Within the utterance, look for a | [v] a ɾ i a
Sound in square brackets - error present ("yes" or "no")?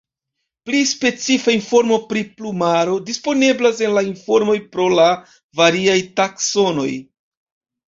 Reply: no